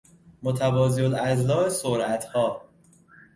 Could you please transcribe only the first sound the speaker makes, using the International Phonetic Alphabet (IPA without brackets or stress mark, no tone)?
m